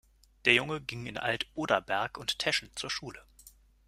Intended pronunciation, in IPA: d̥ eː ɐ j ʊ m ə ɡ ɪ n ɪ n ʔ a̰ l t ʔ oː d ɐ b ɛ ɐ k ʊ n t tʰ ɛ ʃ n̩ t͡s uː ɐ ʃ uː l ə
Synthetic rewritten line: d̥ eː ɐ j ʊ ŋ ə ɡ ɪ ŋ ɪ n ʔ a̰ l t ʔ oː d ɐ b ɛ ɐ k ʊ n t tʰ ɛ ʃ n̩ t͡s uː ɐ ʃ uː l ə